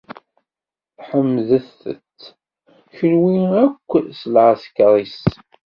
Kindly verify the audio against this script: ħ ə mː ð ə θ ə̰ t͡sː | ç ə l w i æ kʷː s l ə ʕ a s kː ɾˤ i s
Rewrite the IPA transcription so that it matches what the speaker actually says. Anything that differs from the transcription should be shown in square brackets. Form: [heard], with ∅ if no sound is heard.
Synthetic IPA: ħ ə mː ð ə θ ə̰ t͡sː | ç ə l w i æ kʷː s l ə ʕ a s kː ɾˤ i s